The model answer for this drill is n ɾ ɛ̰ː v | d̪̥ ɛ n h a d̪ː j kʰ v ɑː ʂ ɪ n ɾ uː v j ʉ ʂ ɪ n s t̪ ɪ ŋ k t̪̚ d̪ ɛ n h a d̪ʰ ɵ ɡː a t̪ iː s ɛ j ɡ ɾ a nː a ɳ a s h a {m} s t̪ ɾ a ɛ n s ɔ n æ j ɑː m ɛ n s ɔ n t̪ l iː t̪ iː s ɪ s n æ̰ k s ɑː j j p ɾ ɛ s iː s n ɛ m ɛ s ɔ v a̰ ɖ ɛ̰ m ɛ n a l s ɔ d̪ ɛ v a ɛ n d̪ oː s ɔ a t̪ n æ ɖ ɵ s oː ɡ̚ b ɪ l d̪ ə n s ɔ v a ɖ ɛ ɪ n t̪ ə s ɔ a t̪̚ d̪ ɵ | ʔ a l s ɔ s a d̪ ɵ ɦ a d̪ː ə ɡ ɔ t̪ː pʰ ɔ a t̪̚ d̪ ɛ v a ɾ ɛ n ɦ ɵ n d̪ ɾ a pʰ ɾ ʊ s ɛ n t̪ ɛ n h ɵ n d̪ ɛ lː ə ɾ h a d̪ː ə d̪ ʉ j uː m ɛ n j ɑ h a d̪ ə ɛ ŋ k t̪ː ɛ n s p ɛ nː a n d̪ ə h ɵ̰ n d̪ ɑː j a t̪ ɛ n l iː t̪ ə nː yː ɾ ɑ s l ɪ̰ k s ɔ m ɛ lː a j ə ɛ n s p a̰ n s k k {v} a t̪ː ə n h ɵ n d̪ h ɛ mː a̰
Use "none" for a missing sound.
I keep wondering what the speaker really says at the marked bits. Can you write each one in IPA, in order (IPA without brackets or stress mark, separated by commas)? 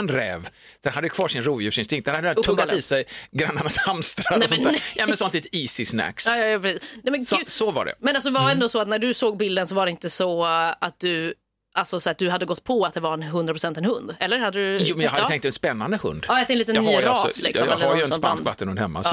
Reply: m, v